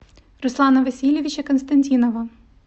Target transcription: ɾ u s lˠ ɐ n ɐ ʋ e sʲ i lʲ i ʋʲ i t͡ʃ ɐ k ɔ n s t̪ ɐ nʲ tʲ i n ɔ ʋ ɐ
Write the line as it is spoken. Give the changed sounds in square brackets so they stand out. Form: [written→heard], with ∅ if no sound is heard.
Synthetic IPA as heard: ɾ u s lˠ [ɐ→ɑ] n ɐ ʋ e sʲ i lʲ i ʋʲ i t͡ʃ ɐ k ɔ n s t̪ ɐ nʲ tʲ i n ɔ ʋ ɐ